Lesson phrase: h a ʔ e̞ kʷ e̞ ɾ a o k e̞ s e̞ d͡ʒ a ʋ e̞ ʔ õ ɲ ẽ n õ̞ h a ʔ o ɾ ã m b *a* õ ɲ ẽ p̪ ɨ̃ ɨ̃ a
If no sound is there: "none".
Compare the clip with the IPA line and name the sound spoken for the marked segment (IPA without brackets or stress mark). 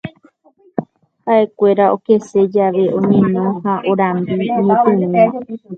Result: i